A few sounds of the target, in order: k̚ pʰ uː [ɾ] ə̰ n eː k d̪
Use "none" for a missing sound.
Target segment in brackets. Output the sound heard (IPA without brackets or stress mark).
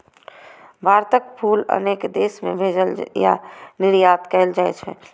l